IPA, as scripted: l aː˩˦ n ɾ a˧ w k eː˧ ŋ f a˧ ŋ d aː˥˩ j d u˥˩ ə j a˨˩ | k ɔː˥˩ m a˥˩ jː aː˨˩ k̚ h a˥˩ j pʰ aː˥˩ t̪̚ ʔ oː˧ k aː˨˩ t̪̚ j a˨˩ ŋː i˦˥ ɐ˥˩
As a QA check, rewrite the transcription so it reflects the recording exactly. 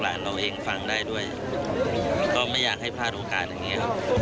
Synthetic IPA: l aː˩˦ n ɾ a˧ w ʔ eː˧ ŋ f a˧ ŋ d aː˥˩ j d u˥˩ ə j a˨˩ | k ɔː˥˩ m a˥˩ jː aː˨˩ k̚ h a˥˩ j pʰ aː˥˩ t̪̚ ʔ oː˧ k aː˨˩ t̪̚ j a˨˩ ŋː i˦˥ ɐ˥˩